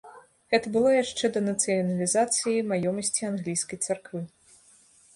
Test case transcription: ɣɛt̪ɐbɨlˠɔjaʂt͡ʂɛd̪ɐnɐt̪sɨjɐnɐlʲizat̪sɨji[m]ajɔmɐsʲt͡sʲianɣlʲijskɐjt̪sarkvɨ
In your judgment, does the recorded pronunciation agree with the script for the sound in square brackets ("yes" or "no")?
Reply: yes